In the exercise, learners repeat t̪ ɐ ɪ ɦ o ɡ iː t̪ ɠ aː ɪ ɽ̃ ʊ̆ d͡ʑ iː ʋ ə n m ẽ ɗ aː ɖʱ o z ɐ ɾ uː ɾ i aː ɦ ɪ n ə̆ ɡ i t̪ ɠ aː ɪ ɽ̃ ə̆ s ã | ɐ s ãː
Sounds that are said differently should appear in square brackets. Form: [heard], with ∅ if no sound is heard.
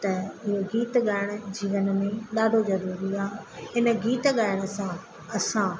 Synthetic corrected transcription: t̪ ɐ ɪ ɦ o ɡ iː t̪ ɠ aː ɪ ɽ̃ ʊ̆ d͡ʑ iː ʋ ə n m ẽ ɗ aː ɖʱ o z ɐ ɾ uː ɾ i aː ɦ ɪ n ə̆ ɡ [iː] t̪ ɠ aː ɪ ɽ̃ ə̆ s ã | ɐ s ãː